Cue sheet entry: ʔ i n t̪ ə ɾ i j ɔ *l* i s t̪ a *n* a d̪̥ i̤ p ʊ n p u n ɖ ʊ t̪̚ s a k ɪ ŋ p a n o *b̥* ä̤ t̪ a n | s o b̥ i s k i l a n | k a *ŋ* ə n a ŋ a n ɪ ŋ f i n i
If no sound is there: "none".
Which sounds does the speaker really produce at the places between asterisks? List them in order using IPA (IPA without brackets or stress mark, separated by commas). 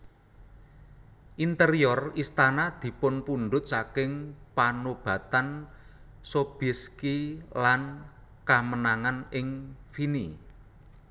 r, n, b̥, m